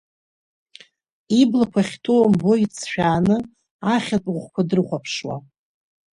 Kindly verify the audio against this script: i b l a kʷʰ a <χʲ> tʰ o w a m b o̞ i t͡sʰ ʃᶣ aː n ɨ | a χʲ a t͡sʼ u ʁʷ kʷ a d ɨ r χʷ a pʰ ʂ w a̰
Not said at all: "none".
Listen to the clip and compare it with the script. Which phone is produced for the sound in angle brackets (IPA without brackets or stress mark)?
χʲ